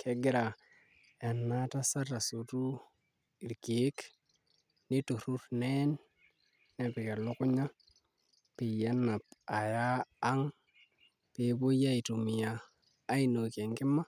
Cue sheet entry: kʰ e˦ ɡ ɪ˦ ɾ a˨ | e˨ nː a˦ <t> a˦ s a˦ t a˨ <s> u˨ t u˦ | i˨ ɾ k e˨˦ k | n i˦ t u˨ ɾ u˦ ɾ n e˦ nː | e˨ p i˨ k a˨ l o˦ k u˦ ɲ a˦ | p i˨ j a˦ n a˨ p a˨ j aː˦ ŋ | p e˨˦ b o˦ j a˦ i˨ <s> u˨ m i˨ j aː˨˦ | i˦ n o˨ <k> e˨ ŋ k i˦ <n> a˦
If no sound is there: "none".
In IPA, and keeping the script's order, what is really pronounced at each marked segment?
t, s, t, k, m

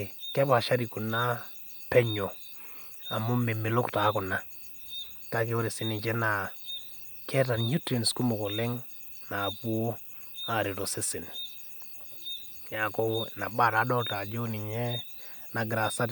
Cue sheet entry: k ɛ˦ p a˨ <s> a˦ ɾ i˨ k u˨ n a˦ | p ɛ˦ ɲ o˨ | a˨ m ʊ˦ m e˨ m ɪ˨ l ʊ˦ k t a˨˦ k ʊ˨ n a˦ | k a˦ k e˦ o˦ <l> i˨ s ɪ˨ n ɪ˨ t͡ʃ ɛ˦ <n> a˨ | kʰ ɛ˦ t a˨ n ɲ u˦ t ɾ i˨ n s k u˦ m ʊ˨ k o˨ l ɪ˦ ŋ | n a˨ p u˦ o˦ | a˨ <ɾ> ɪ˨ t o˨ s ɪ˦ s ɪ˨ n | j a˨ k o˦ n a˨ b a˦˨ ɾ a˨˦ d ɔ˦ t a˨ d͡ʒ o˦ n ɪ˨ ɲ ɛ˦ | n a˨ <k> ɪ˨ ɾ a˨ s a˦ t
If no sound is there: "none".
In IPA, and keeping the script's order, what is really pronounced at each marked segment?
ʃ, ɾ, n, ɾ, ɡ

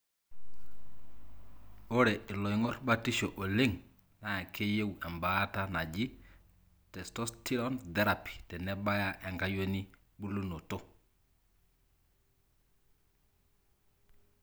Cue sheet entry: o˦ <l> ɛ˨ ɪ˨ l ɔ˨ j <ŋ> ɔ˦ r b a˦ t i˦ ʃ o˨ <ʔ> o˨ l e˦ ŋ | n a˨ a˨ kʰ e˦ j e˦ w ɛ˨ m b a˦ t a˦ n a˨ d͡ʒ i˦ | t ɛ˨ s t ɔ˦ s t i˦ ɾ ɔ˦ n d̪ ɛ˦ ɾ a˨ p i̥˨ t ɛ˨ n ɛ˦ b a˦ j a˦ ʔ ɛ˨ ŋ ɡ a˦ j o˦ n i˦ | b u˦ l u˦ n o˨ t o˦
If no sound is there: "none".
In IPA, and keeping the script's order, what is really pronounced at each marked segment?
ɾ, ŋ, ʔ

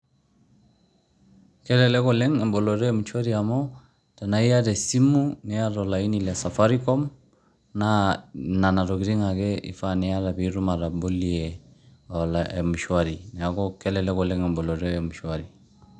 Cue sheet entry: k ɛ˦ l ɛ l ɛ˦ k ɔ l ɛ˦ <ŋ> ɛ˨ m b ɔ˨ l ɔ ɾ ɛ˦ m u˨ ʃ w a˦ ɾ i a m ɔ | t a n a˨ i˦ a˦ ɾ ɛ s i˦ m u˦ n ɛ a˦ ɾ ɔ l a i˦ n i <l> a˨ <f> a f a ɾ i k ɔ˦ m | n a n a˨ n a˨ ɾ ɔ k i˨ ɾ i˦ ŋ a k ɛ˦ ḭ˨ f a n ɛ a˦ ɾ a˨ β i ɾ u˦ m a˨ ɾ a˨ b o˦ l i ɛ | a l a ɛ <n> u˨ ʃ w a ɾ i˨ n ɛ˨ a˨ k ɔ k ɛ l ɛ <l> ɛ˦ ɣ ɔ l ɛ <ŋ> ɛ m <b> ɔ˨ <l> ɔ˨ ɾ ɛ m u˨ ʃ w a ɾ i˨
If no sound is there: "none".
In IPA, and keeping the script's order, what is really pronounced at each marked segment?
ŋ, l, s, m, l, ŋ, b, l

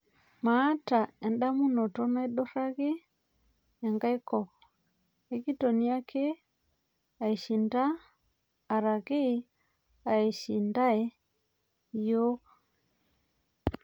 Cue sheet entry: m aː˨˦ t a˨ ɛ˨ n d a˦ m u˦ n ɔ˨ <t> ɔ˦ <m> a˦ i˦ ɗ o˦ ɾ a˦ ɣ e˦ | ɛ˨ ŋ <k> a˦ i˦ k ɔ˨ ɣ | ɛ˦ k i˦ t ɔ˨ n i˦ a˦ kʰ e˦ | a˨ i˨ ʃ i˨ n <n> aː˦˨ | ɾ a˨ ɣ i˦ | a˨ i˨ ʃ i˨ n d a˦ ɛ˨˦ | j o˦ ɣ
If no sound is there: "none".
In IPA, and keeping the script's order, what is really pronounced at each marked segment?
t, n, ɡ, d

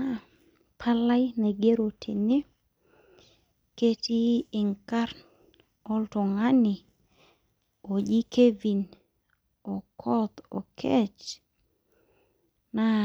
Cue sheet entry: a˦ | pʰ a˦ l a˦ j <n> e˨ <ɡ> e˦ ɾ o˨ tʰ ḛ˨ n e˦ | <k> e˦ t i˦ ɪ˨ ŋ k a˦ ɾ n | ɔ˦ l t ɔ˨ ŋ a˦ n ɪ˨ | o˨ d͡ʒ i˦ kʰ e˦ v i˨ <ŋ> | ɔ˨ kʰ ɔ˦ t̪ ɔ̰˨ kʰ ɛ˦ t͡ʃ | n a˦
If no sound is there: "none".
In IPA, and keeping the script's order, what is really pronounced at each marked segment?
n, ɡ, k, n

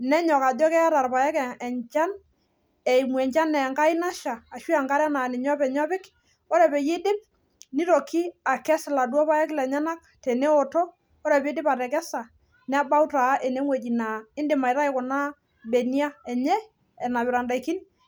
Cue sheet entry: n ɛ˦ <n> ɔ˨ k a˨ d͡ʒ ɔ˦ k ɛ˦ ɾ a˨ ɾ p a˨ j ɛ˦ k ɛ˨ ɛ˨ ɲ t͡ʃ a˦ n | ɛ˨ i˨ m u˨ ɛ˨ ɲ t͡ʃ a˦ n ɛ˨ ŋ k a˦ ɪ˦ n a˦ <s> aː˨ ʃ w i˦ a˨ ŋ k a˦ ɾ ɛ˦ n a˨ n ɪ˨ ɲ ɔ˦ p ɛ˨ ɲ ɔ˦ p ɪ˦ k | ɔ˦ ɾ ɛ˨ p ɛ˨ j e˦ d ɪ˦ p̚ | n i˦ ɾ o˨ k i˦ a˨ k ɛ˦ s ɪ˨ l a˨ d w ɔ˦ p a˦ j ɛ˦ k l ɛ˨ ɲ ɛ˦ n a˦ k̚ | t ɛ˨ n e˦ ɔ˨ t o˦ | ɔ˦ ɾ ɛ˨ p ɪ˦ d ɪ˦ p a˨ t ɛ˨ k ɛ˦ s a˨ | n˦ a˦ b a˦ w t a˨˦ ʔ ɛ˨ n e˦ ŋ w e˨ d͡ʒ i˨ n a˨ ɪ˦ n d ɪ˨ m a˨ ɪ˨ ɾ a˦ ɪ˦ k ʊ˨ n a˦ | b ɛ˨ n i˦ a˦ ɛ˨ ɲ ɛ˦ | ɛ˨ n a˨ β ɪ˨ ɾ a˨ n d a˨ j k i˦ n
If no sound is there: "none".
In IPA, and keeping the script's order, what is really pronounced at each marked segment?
ɲ, ʃ

